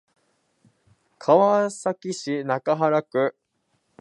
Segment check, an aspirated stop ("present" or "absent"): present